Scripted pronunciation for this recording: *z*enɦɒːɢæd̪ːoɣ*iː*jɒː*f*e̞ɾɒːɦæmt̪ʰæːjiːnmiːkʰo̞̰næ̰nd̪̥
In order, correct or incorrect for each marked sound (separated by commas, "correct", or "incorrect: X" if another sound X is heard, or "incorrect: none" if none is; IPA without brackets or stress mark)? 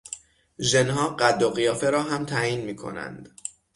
incorrect: ʒ, incorrect: i, correct